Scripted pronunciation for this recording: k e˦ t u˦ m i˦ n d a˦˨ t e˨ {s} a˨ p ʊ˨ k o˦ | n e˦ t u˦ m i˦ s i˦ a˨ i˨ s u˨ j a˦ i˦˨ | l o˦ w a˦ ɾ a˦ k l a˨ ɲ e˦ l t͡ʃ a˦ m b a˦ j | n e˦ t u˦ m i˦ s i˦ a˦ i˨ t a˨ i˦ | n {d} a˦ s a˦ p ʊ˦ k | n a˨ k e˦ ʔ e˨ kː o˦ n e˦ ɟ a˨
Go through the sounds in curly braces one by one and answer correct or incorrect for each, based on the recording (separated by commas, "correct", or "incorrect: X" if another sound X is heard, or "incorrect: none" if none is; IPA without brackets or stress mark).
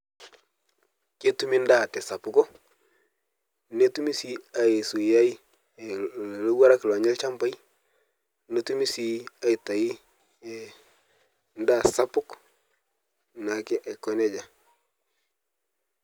correct, correct